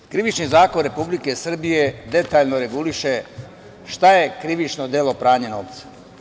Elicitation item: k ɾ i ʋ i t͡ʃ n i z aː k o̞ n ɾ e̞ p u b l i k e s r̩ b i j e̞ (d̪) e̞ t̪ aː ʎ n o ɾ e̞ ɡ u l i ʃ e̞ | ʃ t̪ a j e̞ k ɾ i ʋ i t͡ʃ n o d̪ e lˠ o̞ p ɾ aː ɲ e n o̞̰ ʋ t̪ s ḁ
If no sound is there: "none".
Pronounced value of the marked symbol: d̪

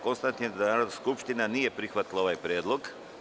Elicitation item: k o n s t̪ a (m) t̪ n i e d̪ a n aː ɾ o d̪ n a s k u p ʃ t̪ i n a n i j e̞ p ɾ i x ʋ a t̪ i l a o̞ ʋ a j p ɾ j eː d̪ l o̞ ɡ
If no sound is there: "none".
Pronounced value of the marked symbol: n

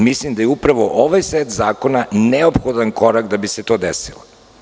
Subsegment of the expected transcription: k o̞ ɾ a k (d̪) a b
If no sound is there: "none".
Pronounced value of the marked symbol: d̪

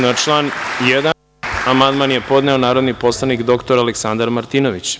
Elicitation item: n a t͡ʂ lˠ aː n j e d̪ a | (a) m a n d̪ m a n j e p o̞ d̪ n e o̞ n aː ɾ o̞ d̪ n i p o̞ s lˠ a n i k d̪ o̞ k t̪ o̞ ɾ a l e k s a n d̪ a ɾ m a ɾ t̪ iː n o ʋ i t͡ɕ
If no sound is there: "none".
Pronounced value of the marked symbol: a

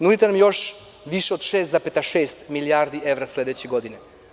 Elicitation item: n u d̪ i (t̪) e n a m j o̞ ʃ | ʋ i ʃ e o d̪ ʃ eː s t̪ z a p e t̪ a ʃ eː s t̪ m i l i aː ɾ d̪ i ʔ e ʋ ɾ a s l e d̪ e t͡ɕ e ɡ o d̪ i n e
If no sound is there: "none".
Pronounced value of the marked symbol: t̪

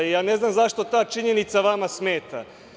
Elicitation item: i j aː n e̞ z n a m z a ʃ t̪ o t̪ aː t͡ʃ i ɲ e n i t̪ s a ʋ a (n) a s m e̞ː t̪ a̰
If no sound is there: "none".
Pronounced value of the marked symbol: m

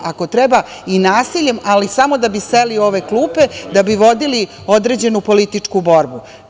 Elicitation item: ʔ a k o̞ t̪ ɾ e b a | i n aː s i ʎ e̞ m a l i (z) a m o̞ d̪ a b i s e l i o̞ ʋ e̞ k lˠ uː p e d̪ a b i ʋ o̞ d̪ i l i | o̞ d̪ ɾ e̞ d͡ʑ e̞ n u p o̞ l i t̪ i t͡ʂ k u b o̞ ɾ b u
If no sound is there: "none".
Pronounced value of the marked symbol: s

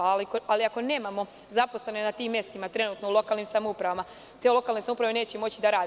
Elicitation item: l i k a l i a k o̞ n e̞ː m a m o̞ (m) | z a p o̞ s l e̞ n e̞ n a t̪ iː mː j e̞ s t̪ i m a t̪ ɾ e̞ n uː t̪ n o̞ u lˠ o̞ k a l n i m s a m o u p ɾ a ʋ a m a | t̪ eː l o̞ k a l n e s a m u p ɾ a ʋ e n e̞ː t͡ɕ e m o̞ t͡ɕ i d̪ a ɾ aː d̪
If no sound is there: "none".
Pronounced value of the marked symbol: none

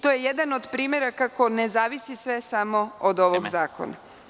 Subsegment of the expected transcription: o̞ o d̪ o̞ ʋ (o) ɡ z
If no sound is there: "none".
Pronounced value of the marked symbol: o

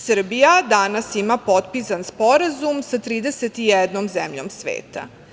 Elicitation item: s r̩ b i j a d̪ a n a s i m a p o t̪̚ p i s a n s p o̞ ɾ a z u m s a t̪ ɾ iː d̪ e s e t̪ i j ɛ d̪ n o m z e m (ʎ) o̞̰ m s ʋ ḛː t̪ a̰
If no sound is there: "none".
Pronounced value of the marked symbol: ʎ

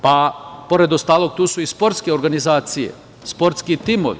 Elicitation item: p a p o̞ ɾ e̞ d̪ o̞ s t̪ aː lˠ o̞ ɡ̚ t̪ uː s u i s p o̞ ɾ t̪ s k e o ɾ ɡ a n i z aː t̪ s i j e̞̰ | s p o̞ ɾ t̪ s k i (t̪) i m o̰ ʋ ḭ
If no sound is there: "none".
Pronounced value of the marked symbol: t̪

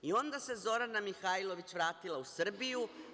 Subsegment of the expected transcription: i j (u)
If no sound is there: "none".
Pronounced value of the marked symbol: u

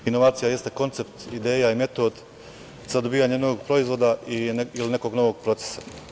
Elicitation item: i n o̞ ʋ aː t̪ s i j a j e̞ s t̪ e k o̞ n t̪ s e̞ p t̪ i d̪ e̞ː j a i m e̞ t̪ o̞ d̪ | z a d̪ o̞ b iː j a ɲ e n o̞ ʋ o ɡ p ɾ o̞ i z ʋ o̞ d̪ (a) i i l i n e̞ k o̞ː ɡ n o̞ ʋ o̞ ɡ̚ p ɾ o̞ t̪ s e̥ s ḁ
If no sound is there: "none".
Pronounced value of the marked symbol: a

